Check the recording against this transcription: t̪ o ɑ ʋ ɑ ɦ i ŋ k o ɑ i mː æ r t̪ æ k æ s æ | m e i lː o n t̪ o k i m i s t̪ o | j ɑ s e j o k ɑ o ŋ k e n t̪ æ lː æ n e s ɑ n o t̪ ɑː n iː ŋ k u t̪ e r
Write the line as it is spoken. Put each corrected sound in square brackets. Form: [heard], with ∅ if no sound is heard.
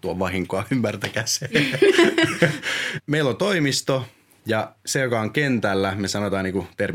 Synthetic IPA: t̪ [u] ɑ ʋ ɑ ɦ i ŋ k o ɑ [y] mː æ r t̪ æ k æ s [e] | m e i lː o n t̪ o [∅] i m i s t̪ o | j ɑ s e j o k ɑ o ŋ k e n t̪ æ lː æ [m] e s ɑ n o t̪ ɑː n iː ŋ k u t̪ e r